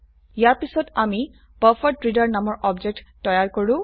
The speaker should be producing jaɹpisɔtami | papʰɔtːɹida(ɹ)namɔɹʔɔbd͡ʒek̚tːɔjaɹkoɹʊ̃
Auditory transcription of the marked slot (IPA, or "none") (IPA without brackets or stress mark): ɹ